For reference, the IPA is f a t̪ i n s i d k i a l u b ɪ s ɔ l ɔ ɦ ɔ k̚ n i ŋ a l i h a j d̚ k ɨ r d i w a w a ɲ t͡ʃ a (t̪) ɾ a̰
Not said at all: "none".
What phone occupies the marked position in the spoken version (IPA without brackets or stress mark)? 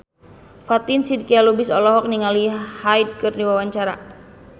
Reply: none